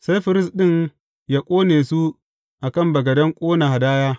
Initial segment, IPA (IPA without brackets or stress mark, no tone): s